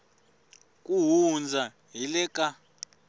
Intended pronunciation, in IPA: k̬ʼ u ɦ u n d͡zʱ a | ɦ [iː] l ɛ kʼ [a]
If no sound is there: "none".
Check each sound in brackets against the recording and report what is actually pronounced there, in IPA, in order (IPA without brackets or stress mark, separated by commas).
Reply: i, a